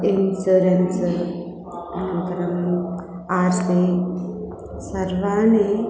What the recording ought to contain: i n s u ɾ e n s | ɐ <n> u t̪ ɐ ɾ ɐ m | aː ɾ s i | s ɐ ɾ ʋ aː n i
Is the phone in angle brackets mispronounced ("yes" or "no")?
no